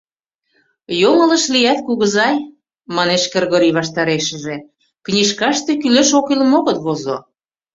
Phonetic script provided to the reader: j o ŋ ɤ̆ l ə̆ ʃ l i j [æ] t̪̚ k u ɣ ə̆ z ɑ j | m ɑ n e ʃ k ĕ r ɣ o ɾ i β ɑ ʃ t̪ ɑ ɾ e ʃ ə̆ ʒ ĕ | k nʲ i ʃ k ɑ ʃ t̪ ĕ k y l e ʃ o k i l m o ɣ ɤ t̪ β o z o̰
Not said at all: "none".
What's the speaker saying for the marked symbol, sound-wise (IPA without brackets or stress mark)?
æ